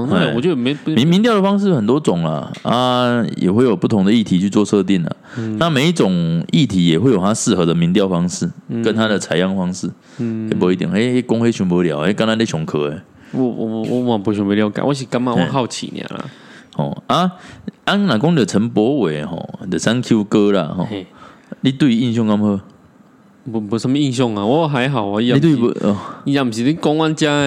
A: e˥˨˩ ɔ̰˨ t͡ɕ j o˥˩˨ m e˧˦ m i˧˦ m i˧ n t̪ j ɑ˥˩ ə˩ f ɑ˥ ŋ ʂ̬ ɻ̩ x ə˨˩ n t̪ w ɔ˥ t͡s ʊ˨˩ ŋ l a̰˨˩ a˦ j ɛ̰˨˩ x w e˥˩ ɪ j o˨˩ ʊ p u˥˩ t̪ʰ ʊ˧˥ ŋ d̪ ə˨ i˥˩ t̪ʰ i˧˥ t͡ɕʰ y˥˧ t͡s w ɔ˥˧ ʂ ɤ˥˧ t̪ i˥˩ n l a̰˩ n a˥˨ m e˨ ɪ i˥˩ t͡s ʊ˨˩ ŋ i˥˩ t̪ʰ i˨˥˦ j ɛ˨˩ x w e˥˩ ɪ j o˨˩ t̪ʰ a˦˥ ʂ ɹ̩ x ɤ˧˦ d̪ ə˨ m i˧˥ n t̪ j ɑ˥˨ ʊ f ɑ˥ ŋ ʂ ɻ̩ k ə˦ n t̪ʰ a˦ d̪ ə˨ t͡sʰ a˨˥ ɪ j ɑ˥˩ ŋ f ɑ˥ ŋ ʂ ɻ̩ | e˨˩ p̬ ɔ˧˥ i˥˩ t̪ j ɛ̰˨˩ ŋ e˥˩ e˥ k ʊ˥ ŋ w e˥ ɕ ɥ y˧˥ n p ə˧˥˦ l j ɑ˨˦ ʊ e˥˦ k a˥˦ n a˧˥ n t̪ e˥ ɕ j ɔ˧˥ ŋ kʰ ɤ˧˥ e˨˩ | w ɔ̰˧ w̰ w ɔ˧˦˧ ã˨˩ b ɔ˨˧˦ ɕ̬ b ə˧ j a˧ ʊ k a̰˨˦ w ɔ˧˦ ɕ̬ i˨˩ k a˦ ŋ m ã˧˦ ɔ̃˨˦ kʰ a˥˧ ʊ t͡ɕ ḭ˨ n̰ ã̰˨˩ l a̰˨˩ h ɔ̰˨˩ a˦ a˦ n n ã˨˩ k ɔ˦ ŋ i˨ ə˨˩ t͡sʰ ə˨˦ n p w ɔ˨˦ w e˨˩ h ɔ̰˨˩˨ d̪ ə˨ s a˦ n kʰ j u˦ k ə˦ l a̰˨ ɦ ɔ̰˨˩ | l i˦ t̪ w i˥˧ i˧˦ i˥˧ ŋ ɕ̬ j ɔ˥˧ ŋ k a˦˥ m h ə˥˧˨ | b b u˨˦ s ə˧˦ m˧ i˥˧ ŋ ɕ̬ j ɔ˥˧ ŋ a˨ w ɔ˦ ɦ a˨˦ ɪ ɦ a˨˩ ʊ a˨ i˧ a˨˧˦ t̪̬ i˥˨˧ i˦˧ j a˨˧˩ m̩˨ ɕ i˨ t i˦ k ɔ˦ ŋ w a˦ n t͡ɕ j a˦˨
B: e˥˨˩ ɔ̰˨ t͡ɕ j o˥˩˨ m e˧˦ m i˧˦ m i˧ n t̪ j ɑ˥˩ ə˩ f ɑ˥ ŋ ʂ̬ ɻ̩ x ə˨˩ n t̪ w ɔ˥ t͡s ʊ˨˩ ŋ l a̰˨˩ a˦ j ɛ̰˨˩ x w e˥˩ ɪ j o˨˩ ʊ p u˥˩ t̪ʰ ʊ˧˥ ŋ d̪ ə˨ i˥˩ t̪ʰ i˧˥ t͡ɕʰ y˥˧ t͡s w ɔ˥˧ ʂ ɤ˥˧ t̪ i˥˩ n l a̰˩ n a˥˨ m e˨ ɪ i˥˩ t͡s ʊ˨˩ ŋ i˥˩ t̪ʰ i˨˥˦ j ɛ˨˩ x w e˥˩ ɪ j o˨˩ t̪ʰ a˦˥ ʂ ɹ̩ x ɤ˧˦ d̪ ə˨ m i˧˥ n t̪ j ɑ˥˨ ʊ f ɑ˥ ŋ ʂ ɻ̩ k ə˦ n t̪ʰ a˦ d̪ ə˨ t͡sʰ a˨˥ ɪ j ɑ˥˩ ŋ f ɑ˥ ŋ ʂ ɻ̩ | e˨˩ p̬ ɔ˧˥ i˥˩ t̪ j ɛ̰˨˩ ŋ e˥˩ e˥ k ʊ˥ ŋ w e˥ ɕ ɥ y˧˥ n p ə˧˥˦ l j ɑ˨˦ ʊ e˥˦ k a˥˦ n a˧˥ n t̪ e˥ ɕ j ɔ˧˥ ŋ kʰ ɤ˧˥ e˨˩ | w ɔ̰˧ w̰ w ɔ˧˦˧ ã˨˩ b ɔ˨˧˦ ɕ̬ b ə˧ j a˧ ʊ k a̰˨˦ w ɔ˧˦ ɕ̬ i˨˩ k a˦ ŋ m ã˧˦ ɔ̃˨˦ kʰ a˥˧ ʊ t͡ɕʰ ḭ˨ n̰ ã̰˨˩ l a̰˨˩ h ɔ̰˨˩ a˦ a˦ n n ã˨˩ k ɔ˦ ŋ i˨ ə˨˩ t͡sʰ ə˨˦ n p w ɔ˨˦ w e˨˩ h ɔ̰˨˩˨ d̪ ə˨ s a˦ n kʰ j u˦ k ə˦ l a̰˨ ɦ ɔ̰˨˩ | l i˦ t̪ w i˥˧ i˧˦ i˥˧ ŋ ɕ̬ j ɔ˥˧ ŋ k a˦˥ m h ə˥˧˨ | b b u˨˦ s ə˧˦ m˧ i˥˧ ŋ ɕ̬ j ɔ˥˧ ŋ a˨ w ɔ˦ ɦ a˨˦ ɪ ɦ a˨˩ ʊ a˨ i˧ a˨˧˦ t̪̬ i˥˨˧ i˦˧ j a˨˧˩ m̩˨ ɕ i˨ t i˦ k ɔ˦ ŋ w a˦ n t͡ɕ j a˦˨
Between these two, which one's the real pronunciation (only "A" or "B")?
B